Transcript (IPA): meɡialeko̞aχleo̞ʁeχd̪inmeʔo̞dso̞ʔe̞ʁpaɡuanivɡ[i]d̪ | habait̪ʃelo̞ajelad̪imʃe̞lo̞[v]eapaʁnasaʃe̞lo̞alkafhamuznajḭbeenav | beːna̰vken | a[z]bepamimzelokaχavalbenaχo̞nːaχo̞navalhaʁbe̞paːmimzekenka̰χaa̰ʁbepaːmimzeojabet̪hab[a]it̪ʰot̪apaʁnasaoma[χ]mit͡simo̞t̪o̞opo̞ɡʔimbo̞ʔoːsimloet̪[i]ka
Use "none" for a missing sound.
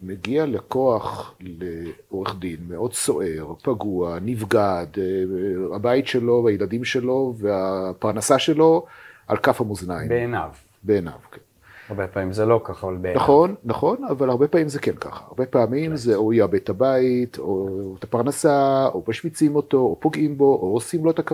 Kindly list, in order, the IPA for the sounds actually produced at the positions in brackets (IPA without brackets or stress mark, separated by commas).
a, v, ʁ, a, ʃ, a